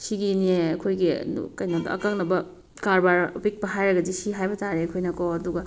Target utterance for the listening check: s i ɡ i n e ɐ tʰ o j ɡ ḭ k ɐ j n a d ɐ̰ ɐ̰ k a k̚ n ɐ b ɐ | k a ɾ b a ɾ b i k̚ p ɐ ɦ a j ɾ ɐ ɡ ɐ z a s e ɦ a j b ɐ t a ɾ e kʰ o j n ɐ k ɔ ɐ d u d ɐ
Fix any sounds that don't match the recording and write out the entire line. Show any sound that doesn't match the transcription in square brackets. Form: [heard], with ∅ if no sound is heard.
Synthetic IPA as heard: s i ɡ i n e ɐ [kʰ] o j ɡ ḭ k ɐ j n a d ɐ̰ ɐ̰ k a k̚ n ɐ b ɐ | k a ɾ b a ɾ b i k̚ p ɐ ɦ a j ɾ ɐ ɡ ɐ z [i] s [i] ɦ a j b ɐ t a ɾ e kʰ o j n ɐ k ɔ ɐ d u [ɡ] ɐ